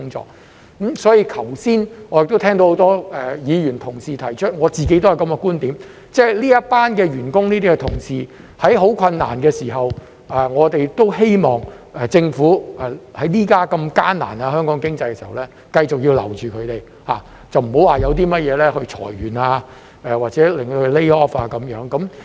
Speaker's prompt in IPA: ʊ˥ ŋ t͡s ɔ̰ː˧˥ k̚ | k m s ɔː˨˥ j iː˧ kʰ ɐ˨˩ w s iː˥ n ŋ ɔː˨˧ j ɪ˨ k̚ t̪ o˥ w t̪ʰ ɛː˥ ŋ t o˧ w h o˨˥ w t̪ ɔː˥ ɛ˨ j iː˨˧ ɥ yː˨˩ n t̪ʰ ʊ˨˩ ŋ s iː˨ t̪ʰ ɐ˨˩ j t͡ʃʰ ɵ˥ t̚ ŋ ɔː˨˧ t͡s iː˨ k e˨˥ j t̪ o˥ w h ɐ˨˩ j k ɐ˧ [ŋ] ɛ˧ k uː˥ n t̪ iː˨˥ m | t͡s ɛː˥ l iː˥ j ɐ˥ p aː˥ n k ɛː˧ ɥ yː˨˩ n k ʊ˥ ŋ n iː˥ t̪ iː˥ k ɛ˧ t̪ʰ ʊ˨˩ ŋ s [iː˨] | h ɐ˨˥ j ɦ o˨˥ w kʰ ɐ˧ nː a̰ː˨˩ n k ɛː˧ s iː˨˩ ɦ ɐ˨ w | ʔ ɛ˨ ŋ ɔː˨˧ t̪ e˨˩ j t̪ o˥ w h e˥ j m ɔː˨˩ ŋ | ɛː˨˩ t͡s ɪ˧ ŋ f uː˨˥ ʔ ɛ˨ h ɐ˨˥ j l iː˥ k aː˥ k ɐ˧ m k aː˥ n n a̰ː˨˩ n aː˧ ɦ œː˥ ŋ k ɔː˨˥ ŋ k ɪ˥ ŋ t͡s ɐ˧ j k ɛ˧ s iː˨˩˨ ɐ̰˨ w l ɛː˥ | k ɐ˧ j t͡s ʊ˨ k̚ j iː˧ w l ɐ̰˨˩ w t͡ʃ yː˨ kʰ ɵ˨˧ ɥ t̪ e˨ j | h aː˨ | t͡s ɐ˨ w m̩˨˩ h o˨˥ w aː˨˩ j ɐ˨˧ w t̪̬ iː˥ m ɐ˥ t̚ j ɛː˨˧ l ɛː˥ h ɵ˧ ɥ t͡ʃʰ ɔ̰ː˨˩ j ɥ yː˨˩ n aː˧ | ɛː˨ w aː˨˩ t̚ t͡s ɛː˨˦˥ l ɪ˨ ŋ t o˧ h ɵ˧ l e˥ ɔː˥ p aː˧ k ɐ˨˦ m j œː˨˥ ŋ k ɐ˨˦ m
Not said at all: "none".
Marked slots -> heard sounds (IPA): m, iː˨

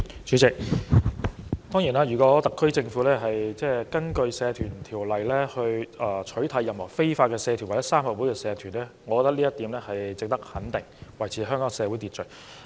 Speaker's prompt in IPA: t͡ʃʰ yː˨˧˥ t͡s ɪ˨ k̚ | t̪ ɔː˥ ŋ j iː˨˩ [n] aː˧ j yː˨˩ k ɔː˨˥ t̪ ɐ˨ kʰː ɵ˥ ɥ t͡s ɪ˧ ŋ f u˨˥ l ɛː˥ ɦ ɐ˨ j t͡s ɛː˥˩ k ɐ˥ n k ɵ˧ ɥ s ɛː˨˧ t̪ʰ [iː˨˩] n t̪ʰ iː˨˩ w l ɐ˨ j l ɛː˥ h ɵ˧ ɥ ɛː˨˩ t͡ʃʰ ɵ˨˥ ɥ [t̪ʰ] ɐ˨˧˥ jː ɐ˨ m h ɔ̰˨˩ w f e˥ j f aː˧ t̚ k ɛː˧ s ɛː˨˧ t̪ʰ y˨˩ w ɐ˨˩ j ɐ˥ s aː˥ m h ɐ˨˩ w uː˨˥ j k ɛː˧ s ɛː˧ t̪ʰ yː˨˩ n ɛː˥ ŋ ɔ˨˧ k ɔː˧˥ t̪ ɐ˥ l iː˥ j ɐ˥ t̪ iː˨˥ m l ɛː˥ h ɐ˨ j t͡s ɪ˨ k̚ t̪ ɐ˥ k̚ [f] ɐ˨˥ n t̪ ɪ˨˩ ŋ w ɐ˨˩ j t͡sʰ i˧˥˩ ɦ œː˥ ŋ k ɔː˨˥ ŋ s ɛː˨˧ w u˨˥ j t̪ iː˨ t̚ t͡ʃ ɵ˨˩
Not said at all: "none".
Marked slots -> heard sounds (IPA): n, yː˨˩, t̪ʰ, h

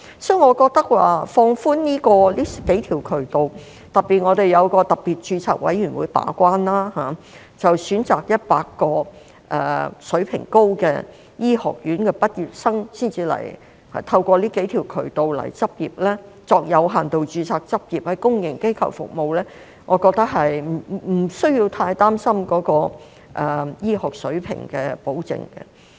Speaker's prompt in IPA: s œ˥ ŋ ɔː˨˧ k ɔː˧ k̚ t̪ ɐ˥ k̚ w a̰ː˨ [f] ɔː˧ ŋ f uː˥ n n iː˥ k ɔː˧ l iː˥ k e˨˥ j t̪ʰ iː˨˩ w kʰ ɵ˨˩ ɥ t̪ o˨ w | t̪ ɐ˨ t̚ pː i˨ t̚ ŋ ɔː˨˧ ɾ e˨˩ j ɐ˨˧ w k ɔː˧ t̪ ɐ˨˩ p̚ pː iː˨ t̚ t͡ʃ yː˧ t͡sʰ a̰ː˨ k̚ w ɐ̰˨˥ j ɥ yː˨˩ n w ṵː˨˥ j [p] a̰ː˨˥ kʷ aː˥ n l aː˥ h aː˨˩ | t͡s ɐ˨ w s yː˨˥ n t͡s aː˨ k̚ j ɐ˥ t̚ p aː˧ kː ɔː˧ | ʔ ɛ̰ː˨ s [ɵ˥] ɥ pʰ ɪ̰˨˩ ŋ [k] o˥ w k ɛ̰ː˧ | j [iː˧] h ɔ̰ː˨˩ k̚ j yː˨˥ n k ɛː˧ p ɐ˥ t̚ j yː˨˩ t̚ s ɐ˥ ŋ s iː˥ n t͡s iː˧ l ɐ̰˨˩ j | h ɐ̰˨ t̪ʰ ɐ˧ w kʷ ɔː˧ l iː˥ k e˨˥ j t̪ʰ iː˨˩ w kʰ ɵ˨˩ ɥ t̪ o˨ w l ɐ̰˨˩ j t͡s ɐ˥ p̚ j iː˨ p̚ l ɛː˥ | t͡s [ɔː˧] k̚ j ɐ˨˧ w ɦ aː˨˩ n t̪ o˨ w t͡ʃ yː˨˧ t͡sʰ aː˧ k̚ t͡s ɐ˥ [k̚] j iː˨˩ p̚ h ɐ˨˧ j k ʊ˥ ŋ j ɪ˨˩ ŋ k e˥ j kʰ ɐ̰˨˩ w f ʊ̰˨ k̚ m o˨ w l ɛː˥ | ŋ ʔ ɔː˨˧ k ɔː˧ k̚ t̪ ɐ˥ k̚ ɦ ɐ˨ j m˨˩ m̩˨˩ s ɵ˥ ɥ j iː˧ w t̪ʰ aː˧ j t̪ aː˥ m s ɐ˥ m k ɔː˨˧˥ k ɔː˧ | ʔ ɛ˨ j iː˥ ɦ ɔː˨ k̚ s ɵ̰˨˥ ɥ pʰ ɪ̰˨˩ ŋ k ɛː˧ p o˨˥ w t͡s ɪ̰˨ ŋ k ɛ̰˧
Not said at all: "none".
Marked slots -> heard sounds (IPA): f, p, ɵ˨˥, k, iː˥, ɔː˧, p̚

